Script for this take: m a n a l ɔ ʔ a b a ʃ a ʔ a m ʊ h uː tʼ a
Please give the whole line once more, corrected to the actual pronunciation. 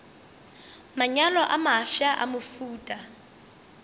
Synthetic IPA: m a ɲ a l ɔ ʔ a m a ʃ a ʔ a m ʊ f uː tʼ a